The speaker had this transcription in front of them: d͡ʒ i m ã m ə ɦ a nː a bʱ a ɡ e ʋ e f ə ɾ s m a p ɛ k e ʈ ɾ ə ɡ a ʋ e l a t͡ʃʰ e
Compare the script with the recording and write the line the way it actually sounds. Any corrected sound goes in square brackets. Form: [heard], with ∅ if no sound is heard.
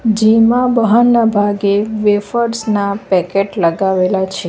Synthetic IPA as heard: d͡ʒ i m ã [b] ə ɦ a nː a bʱ a ɡ e ʋ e f ə ɾ s [n] a p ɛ k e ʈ [l] ə ɡ a ʋ e l a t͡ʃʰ e